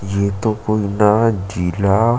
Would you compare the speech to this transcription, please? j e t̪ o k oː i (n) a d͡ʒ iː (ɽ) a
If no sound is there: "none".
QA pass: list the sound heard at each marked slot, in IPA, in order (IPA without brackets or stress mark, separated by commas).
n, l